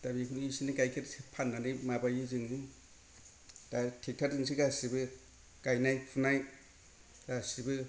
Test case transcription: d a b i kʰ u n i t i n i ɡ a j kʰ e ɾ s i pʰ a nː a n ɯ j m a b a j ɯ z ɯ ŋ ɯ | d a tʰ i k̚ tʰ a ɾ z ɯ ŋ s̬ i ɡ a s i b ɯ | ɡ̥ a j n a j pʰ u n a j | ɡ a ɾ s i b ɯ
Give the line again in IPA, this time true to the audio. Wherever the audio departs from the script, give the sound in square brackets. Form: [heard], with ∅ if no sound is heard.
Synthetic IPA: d a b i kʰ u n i [s] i n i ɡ a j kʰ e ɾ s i pʰ a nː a n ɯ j m a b a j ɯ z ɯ ŋ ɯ | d a tʰ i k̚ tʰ a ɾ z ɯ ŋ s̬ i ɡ a s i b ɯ | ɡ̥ a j n a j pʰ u n a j | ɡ a [∅] s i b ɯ